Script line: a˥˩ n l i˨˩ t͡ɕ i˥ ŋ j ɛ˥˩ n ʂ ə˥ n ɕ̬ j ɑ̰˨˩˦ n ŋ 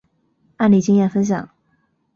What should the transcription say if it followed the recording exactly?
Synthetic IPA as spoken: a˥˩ n l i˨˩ t͡ɕ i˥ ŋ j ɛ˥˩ n f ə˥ n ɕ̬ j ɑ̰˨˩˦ ŋ